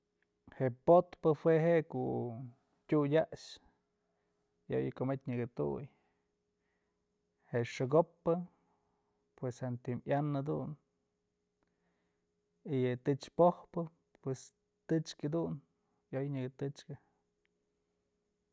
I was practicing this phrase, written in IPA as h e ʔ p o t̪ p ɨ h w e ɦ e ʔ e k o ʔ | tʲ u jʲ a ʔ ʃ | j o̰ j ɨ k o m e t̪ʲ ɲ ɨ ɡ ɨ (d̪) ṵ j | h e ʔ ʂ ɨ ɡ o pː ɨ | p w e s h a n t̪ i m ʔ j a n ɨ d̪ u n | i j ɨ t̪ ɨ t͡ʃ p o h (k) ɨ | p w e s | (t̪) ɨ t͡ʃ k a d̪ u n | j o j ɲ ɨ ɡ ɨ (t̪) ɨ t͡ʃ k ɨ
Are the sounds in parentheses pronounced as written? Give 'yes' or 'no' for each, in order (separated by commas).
no, no, yes, yes